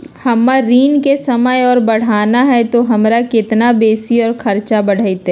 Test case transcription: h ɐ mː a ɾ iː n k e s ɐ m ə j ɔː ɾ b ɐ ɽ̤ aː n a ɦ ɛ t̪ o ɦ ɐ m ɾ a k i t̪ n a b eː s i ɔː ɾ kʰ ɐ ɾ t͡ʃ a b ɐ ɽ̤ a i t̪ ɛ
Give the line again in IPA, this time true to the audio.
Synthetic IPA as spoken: h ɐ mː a ɾ iː n k e s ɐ m ə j ɔː ɾ b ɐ ɽ̤ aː n a ɦ ɛ t̪ o ɦ ɐ m ɾ a k ɪ t̪ n a b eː s i ɔː ɾ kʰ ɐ ɾ t͡ʃ a b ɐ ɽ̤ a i t̪ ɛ